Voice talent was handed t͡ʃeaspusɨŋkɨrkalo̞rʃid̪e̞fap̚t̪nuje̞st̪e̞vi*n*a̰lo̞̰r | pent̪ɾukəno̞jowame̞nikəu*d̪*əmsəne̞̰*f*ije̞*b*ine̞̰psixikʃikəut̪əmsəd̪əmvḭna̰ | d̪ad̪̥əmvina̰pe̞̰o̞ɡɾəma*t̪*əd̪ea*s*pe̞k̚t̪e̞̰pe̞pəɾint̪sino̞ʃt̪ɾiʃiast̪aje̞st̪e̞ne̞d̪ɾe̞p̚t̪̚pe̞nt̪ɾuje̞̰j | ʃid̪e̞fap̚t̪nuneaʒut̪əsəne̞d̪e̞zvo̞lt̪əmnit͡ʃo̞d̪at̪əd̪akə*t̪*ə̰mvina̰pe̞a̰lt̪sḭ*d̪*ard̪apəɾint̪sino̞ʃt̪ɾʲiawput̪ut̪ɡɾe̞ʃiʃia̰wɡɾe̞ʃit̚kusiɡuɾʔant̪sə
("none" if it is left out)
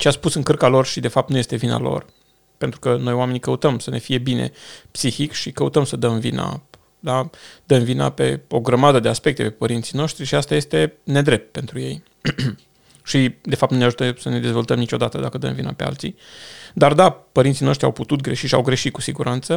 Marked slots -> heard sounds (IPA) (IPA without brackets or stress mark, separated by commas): n, t̪, f, b, d̪, s, d̪, d̪